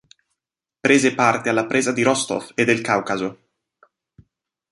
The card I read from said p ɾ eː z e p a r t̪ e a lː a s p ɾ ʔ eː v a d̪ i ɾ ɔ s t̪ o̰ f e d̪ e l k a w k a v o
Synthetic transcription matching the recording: p ɾ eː z e p a r t̪ e a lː a p ɾ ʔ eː z a d̪ i ɾ ɔ s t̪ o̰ f e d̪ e l k a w k a z o